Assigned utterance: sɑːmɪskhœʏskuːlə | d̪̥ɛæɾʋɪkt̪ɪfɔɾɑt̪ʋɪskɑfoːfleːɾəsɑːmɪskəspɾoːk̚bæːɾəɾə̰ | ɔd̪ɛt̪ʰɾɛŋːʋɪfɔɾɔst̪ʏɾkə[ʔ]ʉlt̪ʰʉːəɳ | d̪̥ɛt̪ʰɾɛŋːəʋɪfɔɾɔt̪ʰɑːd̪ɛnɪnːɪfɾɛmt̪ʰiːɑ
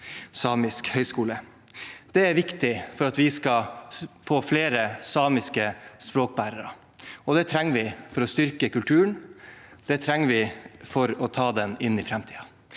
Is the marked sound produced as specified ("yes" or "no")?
no